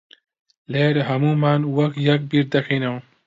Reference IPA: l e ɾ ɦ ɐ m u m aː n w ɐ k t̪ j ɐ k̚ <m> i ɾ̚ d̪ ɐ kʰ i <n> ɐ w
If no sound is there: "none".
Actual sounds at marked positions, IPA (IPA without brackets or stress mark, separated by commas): b, n